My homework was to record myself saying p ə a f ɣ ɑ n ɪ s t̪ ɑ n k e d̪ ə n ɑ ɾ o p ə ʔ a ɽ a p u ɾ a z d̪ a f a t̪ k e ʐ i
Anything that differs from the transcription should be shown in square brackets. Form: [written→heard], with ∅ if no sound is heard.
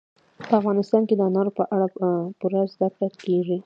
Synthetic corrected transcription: p ə a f ɣ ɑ n ɪ s t̪ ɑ n k e d̪ ə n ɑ ɾ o p ə ʔ a ɽ a p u ɾ a z d̪ a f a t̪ k e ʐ i